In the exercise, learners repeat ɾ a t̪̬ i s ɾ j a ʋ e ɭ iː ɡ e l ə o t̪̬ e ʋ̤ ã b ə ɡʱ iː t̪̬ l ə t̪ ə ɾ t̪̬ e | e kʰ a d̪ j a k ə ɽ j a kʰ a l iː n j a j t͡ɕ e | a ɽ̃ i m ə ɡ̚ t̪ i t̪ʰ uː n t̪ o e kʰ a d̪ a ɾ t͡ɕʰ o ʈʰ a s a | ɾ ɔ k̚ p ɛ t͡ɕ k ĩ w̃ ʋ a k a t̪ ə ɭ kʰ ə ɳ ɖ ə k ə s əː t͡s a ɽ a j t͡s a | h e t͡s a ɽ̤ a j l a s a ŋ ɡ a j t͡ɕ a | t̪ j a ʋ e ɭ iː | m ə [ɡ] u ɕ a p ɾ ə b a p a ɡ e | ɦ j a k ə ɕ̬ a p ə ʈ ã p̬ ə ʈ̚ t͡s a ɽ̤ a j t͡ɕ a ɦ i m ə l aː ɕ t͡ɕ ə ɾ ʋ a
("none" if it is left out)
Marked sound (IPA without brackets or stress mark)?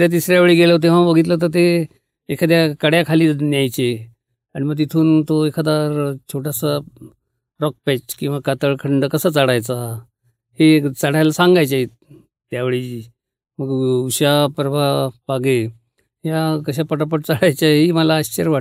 ɡ